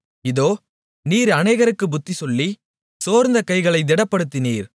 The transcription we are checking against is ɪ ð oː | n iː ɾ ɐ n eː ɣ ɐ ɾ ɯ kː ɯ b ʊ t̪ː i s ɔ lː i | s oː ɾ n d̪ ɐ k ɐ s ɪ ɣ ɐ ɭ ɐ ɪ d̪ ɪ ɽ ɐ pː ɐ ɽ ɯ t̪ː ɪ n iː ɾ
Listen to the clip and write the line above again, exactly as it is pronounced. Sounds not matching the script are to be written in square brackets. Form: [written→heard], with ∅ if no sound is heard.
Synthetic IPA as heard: ɪ ð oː | n iː ɾ ɐ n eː ɣ ɐ ɾ ɯ kː ɯ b ʊ t̪ː i s ɔ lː i | s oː ɾ n d̪ ɐ k ɐ [s→∅] ɪ ɣ ɐ ɭ ɐ ɪ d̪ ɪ ɽ ɐ pː ɐ ɽ ɯ t̪ː ɪ n iː ɾ